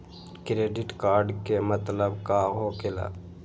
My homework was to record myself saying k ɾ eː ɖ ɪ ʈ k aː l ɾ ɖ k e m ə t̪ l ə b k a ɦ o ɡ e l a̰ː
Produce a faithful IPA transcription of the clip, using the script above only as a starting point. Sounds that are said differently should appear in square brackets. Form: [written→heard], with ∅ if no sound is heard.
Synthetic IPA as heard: k ɾ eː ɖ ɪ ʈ k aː [l→∅] ɾ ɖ k e m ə t̪ l ə b k a ɦ o [ɡ→k] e l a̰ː